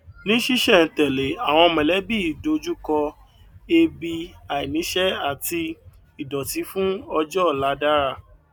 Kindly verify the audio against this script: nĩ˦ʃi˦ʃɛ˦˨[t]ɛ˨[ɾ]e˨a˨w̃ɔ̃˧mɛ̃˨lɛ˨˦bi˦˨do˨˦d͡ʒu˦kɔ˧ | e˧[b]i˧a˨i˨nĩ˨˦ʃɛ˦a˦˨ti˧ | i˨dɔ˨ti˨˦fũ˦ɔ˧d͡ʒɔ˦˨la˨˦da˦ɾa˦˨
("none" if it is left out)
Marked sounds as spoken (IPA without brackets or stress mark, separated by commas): t, l, b